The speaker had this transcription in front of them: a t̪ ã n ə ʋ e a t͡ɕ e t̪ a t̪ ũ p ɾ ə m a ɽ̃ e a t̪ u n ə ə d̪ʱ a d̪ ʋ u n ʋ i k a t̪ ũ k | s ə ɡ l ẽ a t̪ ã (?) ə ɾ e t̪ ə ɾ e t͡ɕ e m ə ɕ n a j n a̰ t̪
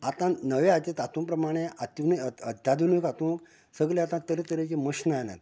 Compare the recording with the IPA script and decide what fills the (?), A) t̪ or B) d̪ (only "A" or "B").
A